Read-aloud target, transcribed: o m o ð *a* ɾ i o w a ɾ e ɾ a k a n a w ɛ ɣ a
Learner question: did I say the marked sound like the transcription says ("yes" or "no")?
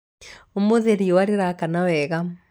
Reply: no